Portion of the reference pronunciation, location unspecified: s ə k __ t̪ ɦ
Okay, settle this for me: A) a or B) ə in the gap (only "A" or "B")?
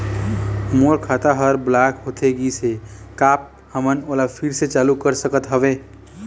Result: B